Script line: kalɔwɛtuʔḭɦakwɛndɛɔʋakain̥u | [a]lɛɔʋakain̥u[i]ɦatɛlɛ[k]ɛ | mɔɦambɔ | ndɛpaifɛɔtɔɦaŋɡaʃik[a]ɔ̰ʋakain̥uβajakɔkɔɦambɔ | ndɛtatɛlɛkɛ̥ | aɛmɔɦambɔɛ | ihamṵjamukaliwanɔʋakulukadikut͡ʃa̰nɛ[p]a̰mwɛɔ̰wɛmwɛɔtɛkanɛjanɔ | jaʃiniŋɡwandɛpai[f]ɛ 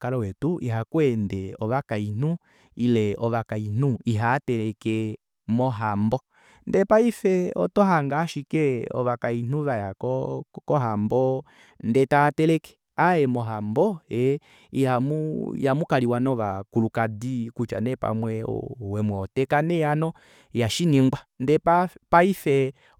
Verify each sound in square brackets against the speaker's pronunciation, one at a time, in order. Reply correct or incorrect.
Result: incorrect, correct, correct, incorrect, correct, correct

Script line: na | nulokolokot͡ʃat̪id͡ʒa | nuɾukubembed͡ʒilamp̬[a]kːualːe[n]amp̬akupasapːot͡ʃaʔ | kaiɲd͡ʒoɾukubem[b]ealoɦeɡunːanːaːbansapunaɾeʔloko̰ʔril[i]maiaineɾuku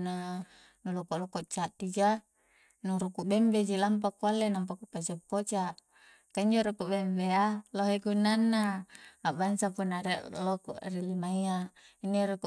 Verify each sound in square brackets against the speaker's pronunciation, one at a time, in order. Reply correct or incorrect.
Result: correct, correct, correct, correct

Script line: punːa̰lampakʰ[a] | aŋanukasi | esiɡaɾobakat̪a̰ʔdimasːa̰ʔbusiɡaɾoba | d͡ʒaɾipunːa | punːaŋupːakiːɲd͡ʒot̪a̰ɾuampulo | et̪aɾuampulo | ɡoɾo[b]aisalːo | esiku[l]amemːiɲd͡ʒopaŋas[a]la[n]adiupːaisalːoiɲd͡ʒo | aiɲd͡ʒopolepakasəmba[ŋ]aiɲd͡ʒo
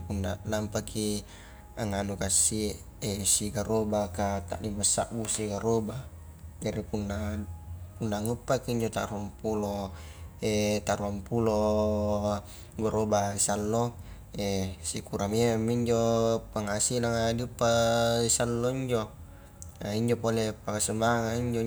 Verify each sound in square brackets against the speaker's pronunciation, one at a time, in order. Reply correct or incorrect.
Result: incorrect, correct, incorrect, incorrect, incorrect, correct

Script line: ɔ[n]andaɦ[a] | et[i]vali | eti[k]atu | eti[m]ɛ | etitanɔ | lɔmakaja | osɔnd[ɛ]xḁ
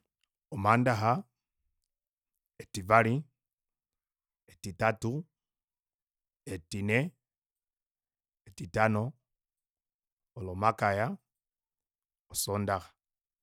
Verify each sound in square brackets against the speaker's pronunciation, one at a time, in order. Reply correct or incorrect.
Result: incorrect, correct, correct, incorrect, incorrect, incorrect

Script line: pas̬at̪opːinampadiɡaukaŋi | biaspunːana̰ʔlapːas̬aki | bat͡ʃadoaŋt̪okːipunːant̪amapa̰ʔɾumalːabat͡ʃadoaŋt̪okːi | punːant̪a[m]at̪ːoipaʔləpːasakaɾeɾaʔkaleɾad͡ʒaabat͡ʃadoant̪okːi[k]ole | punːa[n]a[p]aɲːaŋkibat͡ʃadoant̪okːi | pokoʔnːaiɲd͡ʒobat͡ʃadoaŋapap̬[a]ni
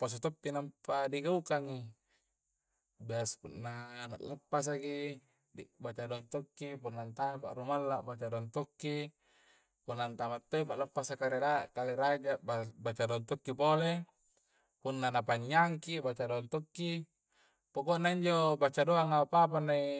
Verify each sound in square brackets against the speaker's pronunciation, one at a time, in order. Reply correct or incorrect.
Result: correct, incorrect, correct, correct, correct

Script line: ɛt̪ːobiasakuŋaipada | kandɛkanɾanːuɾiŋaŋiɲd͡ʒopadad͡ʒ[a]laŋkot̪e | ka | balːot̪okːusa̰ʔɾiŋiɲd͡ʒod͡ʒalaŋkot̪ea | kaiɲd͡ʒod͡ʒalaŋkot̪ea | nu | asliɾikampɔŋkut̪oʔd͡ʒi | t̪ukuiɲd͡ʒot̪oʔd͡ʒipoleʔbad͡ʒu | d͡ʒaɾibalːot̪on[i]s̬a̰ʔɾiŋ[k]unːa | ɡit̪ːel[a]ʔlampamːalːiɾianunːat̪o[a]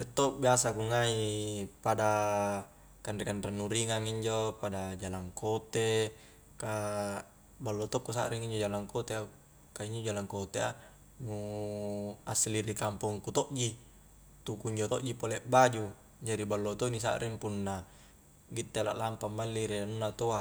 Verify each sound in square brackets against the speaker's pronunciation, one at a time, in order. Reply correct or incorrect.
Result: correct, correct, incorrect, correct, correct

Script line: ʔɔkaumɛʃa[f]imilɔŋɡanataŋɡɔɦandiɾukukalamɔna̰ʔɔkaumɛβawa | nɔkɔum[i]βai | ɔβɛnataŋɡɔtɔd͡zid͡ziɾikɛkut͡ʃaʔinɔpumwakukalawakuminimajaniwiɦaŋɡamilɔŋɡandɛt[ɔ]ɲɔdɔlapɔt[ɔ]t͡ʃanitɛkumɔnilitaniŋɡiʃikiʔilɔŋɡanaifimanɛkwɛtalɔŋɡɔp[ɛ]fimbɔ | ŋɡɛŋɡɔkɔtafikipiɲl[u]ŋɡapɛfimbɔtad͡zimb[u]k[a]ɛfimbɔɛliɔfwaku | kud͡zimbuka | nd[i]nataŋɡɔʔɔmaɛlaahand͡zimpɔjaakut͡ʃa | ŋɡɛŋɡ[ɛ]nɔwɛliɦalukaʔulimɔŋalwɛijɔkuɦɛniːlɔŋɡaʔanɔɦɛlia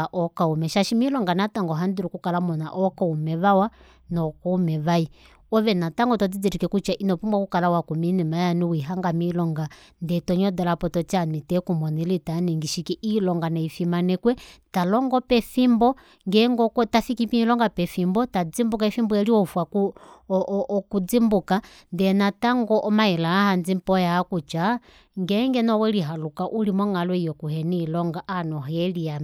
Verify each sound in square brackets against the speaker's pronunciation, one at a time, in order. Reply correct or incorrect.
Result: incorrect, incorrect, correct, correct, correct, incorrect, correct, correct, incorrect, correct

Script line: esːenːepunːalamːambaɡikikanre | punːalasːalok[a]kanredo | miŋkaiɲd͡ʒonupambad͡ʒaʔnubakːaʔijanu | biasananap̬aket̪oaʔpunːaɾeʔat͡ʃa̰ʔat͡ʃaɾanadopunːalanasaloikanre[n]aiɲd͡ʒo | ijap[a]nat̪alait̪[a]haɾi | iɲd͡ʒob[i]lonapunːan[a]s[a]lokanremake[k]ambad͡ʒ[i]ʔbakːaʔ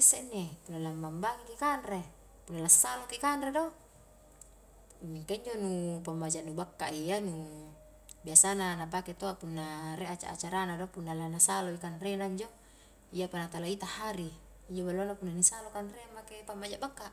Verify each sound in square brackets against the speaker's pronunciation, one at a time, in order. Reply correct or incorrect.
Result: incorrect, correct, correct, correct, incorrect, incorrect, correct, incorrect, incorrect

